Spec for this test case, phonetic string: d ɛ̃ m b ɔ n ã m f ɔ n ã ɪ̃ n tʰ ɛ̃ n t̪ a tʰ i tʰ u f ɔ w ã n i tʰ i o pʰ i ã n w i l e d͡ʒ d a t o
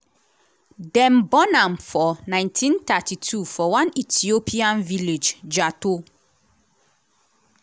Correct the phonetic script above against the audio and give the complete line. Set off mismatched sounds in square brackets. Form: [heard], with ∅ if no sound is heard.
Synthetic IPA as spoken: d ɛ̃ m b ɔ n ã m f ɔ n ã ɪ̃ n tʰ [ĩ] n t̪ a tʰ i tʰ u f ɔ w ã n i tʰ i o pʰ i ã n [v] i l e d͡ʒ [d͡ʒ] a t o